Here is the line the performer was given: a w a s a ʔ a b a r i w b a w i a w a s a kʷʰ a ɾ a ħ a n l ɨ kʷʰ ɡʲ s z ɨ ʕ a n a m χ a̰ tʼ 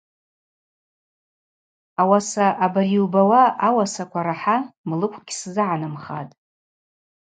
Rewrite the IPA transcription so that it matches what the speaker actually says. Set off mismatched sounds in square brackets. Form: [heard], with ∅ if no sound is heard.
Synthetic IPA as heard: a w a s a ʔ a b a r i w b a w [a] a w a s a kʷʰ a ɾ a ħ a [m] l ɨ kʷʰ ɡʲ s z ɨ ʕ a n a m χ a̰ tʼ